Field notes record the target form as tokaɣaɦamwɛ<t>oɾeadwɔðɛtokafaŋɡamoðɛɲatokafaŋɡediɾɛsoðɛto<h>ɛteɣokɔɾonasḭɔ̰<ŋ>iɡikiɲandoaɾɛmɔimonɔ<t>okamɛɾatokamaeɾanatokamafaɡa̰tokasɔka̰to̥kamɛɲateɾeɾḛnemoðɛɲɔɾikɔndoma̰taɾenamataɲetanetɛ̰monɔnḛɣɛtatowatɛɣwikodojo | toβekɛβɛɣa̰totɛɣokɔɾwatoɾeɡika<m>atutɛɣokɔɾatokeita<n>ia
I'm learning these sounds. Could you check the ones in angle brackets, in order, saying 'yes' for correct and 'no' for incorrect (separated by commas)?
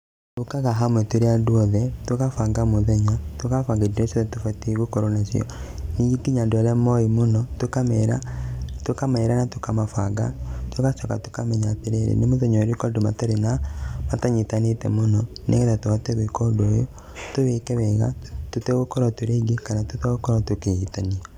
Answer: yes, no, no, yes, no, yes